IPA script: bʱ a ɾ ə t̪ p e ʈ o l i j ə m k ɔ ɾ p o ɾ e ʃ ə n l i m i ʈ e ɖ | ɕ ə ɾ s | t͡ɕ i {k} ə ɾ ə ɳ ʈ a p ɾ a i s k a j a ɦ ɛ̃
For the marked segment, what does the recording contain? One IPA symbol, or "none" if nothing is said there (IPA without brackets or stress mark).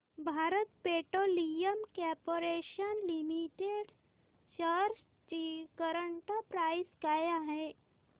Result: k